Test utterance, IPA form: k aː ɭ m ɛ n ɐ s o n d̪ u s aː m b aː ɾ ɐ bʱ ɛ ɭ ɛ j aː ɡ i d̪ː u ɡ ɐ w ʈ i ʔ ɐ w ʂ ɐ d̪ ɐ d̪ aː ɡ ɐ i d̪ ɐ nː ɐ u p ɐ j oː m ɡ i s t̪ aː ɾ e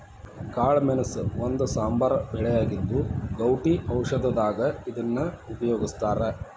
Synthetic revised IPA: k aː ɭ m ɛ n ɐ s o n d̪ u s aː m b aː ɾ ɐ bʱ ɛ ɭ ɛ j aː ɡ i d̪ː u ɡ ɐ w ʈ i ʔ ɐ w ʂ ɐ d̪ ɐ d̪ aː ɡ ɐ i d̪ ɐ nː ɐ u p ɐ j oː ɡ i s t̪ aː ɾ e